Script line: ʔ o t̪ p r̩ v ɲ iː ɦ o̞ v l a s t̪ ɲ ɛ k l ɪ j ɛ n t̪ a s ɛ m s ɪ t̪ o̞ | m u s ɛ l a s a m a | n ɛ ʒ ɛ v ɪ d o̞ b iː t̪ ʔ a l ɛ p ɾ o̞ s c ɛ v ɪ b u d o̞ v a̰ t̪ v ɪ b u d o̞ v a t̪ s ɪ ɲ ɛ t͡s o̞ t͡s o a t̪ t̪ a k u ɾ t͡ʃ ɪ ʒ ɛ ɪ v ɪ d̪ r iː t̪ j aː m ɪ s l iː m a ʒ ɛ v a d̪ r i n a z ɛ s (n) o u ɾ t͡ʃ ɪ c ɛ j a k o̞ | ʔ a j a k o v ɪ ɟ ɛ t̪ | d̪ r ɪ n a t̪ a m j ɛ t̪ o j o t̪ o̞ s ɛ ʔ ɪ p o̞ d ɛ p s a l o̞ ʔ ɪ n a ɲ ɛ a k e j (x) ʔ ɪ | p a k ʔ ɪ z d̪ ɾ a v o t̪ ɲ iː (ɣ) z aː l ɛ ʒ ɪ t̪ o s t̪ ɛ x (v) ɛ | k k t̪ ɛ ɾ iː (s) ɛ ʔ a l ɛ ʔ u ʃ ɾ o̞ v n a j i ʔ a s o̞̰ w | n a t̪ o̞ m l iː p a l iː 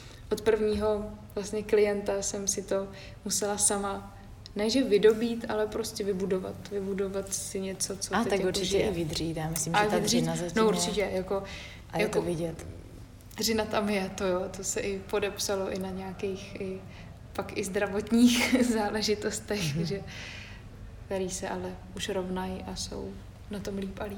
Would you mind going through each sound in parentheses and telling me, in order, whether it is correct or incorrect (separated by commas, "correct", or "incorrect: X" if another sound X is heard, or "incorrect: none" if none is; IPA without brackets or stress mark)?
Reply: correct, correct, incorrect: x, incorrect: ʒ, correct